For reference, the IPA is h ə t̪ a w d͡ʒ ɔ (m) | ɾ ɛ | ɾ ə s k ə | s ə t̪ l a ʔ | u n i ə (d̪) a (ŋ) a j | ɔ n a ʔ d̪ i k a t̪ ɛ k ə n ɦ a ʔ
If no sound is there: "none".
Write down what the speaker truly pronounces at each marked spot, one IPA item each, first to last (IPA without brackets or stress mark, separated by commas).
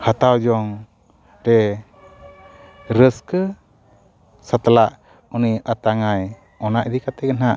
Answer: ŋ, t̪, ŋ